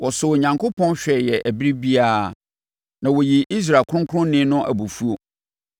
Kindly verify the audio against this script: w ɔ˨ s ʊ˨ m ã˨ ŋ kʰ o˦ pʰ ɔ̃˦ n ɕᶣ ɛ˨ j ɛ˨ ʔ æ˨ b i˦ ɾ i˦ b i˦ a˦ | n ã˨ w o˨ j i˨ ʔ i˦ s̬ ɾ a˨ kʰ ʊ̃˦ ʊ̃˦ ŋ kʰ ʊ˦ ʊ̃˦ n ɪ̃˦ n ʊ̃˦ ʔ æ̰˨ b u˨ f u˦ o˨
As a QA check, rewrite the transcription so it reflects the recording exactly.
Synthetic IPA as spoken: w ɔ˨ s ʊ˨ ɲ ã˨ ŋ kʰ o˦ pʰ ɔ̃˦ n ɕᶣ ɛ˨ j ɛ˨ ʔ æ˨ b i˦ ɾ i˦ b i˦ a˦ | n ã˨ w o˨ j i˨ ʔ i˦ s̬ ɾ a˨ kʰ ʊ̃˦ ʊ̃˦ ŋ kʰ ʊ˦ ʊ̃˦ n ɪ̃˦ n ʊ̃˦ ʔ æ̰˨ b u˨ f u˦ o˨